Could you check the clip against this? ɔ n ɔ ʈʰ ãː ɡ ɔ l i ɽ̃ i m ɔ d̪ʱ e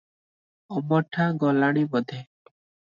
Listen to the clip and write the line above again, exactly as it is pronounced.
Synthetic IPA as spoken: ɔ m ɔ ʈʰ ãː ɡ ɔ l a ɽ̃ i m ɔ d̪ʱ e